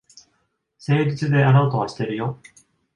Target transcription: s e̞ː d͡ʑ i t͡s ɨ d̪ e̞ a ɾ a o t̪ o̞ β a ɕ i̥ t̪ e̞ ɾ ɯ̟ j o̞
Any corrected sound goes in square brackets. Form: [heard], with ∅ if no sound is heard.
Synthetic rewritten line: s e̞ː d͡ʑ i t͡s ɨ d̪ e̞ a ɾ a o t̪ o̞ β a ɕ i̥ t̪ e̞ ɾ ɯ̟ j o̞